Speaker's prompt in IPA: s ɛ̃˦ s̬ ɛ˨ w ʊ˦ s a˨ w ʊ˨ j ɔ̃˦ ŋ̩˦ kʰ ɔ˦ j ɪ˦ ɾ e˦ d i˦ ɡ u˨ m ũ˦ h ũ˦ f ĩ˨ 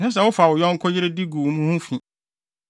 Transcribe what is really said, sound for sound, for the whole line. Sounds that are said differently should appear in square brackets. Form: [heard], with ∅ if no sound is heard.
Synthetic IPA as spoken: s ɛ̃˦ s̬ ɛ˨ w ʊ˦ [f] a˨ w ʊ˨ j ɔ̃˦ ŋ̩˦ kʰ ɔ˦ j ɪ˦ ɾ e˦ d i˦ ɡ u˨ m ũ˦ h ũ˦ f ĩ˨